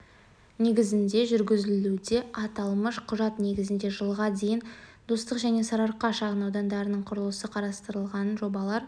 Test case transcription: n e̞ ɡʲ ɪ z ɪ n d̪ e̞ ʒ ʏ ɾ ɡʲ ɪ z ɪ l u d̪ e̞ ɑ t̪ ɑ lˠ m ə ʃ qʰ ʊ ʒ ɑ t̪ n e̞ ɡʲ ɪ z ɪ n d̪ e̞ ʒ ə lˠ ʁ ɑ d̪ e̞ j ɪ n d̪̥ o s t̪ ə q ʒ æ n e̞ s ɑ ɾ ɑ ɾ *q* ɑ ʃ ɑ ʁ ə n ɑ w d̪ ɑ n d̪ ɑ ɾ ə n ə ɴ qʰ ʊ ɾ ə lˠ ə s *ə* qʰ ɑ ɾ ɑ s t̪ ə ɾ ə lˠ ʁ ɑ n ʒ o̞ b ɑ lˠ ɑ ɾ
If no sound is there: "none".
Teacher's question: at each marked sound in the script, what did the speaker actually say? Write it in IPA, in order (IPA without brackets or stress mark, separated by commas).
q, ə